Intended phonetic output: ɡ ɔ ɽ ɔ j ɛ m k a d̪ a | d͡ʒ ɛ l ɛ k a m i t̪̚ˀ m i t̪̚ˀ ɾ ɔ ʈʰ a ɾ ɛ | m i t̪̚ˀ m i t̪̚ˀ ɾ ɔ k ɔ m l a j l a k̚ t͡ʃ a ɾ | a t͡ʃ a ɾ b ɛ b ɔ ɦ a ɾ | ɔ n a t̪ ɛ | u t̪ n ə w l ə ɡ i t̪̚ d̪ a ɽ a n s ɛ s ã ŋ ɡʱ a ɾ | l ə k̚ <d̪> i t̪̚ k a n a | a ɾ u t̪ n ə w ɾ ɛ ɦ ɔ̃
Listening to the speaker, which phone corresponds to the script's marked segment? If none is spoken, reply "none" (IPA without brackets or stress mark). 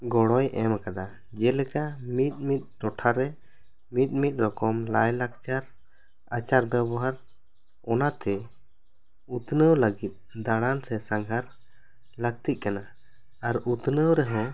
t̪